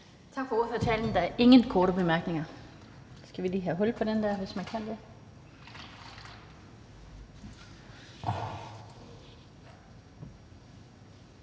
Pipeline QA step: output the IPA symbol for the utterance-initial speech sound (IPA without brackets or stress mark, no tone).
t͡sʰ